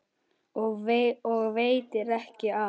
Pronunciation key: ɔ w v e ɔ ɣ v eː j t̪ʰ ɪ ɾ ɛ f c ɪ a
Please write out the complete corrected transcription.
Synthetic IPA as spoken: ɔ ɣ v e ɔ ɣ v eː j t̪ ɪ ɾ ɛ h c ɪ a

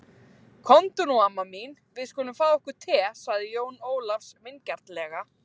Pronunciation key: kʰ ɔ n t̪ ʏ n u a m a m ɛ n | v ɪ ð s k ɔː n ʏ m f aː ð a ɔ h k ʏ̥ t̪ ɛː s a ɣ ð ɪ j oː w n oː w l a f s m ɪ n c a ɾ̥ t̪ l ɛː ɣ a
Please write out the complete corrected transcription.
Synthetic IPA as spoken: kʰ ɔ n t̪ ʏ n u a m a m i n | v ɪ ð s k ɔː n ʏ m f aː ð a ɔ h k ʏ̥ t̪ʰ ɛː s a ɣ ð ɪ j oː w n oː w l a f s m ɪ n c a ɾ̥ t̪ l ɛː ɣ a

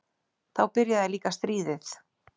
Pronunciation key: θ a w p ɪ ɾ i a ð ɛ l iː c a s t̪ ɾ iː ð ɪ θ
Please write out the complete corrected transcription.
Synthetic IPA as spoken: θ a w p ɪ ɾ j a ð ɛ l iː k a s t̪ ɾ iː ð ɪ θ

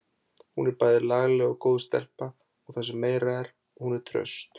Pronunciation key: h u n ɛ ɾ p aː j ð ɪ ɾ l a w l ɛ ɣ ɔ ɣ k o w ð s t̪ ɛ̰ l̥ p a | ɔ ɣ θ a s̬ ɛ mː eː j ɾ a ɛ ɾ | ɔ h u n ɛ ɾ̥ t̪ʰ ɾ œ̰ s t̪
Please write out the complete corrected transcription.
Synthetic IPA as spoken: h u n ɛ ɾ p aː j ð ɪ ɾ l a ɣ l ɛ ɣ ɔ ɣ k o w ð s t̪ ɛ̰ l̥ p a | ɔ ɣ θ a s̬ ɛ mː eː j ɾ a ɛ ɾ | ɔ h u n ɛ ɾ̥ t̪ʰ ɾ œ̰ s t̪

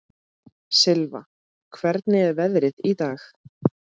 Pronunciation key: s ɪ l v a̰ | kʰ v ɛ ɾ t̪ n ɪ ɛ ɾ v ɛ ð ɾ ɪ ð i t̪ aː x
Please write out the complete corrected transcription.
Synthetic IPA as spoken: s ɪ l v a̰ | kʰ v ɛ ɾ t̪ n ɪ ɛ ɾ v ɛ ð ɾ ɪ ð i t̪ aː x

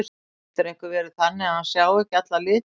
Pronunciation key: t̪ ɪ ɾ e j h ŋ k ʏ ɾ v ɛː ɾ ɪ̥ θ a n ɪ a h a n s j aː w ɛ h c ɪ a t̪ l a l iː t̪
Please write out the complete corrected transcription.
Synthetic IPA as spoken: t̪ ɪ ɾ e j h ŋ k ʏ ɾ v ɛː ɾ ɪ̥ θ a nː ɪ a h a n s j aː w ɛ h c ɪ a t̪ l a l ɪː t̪

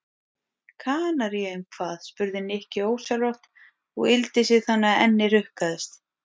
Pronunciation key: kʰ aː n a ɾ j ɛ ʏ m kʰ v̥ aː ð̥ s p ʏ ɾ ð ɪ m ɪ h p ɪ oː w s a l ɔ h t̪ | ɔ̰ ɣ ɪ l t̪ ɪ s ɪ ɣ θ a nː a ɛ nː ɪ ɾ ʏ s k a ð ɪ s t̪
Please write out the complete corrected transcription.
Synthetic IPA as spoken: kʰ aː n a ɾ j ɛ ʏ m kʰ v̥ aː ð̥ s p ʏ ɾ ð ɪ n ɪ h c ɪ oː w s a l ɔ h t̪ | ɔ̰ ɣ ɪ l t̪ ɪ s ɪ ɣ θ a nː a ɛ nː ɪ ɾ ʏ h k a ð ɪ s t̪

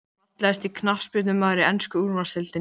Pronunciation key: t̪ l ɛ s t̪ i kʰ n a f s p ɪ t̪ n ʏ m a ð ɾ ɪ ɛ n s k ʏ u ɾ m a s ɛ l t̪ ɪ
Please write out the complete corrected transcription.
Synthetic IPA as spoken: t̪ l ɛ s t̪ i kʰ n a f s p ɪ t̪ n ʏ m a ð ɾ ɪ ɛ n s k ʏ u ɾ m a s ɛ l t̪ ɪ

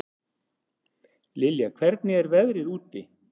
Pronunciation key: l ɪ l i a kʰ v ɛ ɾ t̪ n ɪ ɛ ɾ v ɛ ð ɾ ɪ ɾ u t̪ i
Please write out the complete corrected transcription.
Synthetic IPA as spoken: l ɪ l j a kʰ v ɛ ɾ t̪ n ɪ ɛ ɾ v ɛ ð ɾ ɪ ɾ uː t̪ ɪ

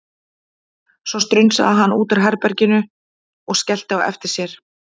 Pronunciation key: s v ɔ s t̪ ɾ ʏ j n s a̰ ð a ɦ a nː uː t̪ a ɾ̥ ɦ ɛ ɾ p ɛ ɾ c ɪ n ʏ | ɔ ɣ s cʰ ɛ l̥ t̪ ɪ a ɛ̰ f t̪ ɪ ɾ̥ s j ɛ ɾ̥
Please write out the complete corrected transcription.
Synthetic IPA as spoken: s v ɔ s t̪ ɾ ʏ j n s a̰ ð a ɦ a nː uː t̪ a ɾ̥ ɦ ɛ ɾ p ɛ ɾ c ɪ n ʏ | ɔ ɣ s c ɛ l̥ t̪ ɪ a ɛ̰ f t̪ ɪ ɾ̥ s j ɛ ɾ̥

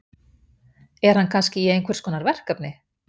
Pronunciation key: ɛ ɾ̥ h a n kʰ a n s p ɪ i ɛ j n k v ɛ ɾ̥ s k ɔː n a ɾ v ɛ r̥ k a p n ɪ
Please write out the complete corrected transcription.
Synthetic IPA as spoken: ɛ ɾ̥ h a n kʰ a n s c ɪ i e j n k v ɛ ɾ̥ s k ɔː n a ɾ v ɛ r̥ k a p n ɪ

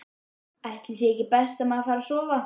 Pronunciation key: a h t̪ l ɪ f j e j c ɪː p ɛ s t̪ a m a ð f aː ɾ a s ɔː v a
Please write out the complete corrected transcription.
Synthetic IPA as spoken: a h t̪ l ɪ s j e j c ɪ p ɛ s t̪ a m a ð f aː ɾ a s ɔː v a

